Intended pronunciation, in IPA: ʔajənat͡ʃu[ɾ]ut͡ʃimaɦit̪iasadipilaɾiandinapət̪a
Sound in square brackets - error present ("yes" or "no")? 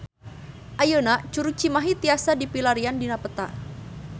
no